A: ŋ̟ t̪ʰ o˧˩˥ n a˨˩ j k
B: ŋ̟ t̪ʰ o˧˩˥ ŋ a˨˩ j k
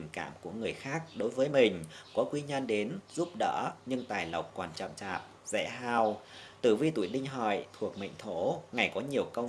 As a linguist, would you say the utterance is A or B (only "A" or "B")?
B